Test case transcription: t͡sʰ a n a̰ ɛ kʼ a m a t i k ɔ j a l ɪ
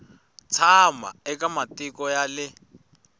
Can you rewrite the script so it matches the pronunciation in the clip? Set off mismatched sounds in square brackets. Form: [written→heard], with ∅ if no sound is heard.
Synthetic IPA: t͡sʰ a [n→m] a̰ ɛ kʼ a m a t i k ɔ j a l ɪ